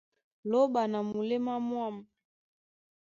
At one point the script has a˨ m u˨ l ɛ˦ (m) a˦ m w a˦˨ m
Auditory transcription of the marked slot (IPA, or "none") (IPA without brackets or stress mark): m